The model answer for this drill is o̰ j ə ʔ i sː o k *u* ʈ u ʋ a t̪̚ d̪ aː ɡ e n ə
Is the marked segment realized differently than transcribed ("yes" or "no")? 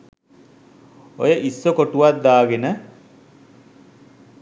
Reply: yes